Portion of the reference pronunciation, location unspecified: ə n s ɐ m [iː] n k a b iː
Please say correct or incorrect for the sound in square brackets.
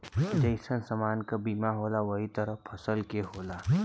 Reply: incorrect